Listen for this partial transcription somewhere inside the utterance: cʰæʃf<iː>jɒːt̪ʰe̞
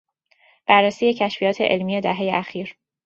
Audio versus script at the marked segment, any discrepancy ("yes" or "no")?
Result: yes